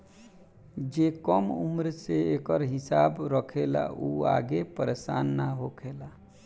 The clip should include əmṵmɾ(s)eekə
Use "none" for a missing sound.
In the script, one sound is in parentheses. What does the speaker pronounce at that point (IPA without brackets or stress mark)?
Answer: s